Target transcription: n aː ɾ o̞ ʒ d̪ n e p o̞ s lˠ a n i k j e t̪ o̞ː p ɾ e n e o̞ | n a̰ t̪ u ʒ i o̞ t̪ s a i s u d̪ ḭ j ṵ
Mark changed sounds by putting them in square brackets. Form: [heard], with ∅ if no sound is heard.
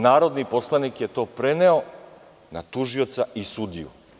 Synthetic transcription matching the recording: n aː ɾ o̞ [∅] d̪ n [i] p o̞ s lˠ a n i k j e t̪ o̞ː p ɾ e n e o̞ | n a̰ t̪ u ʒ i o̞ t̪ s a i s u d̪ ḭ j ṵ